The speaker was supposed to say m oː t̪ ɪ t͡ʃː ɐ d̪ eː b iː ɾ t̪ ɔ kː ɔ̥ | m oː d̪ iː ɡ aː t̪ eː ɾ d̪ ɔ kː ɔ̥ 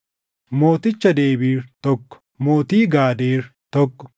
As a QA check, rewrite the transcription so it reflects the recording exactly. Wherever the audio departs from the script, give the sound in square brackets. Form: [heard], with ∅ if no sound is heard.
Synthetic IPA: m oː t̪ ɪ t͡ʃː ɐ d̪ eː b iː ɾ t̪ ɔ kː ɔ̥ | m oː [t̪] iː ɡ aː [d̪] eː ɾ [t̪] ɔ kː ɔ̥